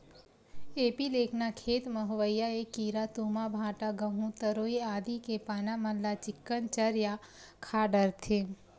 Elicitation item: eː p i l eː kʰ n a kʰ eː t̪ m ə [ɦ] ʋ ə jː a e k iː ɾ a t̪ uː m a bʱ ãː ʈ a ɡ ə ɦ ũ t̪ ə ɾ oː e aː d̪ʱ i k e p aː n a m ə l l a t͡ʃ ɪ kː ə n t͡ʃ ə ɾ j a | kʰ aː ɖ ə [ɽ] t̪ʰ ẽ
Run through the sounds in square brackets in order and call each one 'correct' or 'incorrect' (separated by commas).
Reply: correct, incorrect